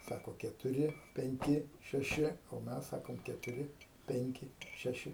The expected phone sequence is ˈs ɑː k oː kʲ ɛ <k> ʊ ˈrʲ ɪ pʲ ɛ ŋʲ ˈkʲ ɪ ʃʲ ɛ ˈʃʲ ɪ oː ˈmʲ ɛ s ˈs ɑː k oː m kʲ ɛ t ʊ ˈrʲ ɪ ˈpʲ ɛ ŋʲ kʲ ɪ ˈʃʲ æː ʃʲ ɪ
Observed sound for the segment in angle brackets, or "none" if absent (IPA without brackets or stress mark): t